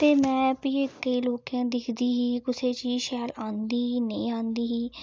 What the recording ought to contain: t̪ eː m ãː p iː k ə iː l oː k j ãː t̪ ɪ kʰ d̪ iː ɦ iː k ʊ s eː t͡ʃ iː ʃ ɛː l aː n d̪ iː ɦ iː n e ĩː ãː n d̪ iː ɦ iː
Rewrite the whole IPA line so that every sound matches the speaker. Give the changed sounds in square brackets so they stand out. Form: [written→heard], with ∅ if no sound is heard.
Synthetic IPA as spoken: t̪ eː m [ãː→ɛ̃ː] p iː k ə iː l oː k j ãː [t̪→d̪] ɪ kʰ d̪ iː ɦ iː k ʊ s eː t͡ʃ iː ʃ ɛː l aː n d̪ iː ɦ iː n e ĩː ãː n d̪ iː ɦ iː